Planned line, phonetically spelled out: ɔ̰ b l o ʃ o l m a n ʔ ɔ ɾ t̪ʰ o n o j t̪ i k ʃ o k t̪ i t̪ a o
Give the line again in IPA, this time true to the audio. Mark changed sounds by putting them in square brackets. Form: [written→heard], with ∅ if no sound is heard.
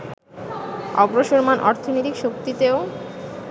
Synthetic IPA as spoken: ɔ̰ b [l→ɾ] o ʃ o [l→ɾ] m a n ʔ ɔ ɾ t̪ʰ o n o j t̪ i k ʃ o k t̪ i t̪ [a→e] o